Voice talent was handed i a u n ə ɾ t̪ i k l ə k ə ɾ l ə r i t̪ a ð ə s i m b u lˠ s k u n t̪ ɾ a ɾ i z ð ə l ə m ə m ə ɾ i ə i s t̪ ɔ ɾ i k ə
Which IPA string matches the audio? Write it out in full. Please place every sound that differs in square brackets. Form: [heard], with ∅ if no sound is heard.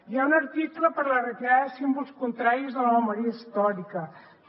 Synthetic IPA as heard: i a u n ə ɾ t̪ i k l ə [p] ə ɾ l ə r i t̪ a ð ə s i m b u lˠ s k u n t̪ ɾ a ɾ i z ð ə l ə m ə m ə ɾ i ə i s t̪ ɔ ɾ i k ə